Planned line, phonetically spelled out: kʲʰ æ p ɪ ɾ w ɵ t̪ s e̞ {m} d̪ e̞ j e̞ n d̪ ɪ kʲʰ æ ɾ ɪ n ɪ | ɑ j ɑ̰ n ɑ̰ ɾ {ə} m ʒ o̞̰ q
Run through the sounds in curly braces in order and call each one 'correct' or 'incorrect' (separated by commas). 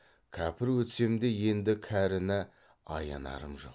correct, correct